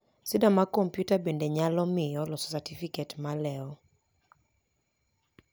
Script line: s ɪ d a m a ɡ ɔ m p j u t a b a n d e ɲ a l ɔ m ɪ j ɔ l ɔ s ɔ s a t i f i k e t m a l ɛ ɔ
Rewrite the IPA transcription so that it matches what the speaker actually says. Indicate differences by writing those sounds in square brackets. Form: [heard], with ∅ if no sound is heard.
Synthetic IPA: s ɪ d a m a [k] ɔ m p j u t a b [e] n d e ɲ a l ɔ m ɪ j ɔ l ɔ s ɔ s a t i f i k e t m a l ɛ ɔ